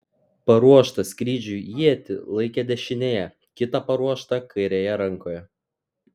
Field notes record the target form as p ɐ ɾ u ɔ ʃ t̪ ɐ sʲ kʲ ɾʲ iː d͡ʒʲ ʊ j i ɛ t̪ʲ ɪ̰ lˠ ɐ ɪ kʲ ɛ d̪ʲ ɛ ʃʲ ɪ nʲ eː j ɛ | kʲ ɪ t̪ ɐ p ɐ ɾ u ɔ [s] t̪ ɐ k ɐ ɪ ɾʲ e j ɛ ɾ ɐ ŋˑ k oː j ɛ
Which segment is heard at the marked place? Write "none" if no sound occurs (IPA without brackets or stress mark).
ʃ